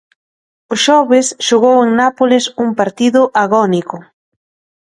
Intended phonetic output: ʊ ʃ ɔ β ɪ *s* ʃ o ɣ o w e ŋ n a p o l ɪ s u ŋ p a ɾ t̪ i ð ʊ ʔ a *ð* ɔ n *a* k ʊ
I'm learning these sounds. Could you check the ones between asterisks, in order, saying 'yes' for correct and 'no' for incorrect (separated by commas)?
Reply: yes, no, no